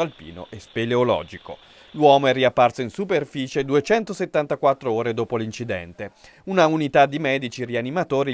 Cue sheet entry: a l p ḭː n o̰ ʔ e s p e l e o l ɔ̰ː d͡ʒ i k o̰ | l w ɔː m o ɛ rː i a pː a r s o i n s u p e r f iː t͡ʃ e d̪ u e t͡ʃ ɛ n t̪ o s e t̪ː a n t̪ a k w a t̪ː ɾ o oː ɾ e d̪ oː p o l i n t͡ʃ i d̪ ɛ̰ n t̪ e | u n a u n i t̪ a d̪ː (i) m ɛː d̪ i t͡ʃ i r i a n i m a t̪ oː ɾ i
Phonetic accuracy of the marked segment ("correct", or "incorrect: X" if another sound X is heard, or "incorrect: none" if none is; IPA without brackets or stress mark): correct